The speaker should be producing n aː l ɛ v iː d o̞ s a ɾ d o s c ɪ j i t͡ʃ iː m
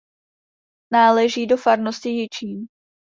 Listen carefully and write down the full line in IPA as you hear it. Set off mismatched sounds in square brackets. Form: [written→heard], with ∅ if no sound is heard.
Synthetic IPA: n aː l ɛ [v→ʒ] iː d o̞ [s→f] a ɾ [d→n] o s c ɪ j [i→ɪ] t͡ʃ iː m